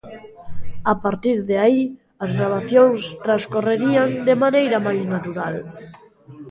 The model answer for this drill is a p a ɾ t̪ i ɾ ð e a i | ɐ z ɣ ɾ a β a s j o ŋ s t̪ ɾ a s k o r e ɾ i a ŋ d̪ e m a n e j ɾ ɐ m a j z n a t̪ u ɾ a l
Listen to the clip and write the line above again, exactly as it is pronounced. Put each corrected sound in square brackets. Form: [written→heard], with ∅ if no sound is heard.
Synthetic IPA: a p a ɾ t̪ i ɾ ð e a i | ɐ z ɣ ɾ a β a [s→θ] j o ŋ s t̪ ɾ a s k o r e ɾ i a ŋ d̪ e m a n e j ɾ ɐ m a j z n a t̪ u ɾ a l